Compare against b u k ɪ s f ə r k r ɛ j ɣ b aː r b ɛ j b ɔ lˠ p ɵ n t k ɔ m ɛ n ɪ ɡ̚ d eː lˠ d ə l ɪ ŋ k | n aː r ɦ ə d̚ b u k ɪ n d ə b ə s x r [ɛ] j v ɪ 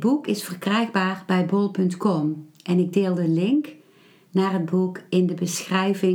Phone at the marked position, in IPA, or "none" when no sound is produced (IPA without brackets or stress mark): ɛ